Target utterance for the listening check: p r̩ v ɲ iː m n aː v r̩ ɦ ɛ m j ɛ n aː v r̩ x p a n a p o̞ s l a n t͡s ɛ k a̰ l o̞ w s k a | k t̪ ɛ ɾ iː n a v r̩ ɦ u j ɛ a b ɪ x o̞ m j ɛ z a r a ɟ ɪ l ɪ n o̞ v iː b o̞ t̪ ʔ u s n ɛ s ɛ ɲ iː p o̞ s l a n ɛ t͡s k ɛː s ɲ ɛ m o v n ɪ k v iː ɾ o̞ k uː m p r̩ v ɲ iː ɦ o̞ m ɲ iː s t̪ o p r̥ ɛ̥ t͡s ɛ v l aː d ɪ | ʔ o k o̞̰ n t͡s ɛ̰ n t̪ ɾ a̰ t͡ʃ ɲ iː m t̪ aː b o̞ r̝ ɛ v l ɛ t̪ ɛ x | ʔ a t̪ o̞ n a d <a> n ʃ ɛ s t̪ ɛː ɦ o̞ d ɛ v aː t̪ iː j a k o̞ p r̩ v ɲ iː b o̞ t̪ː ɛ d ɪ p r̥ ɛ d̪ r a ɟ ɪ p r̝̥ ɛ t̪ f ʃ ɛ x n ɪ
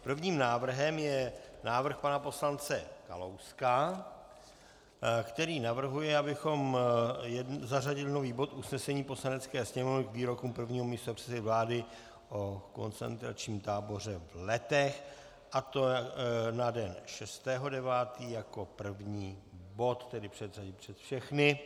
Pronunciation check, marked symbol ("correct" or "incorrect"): incorrect